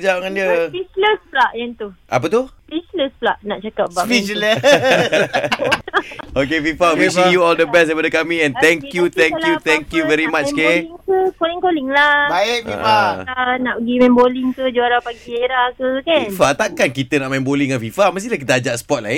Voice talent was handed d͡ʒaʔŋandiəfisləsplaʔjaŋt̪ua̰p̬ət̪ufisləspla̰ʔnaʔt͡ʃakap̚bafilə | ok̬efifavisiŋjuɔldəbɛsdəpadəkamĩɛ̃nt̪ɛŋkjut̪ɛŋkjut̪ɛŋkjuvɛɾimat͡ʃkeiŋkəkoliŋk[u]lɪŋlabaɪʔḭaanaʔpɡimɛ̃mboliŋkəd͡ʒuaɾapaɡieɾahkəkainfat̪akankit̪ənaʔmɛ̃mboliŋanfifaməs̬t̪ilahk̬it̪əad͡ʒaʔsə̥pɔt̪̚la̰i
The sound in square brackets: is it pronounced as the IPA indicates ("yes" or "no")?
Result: no